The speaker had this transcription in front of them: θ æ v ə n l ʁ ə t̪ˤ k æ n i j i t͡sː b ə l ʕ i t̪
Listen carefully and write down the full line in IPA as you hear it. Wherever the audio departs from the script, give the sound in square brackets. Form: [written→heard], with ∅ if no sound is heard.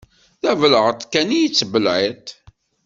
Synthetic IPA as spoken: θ æ v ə [n→∅] l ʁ ə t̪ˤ k æ n i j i t͡sː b ə l ʕ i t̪